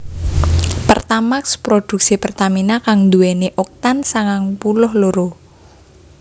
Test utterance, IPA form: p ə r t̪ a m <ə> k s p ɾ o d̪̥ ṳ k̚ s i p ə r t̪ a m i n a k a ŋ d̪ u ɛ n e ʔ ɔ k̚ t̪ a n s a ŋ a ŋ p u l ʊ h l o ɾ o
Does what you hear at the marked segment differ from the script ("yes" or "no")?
yes